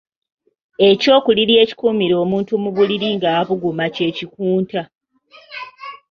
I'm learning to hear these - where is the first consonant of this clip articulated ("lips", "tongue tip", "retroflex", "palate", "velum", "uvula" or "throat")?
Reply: palate